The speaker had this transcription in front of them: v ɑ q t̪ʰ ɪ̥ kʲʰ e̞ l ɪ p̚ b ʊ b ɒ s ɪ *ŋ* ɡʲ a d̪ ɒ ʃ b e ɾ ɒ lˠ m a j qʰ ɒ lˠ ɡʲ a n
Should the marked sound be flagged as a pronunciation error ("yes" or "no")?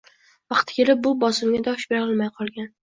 yes